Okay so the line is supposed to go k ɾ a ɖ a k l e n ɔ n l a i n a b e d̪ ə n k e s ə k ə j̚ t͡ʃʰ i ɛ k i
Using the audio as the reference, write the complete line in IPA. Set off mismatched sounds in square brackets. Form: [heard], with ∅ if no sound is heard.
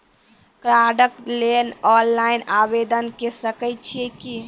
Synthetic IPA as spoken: k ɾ a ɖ [ə] k l e n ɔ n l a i n a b e d̪ ə n k e s ə k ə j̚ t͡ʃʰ i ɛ k i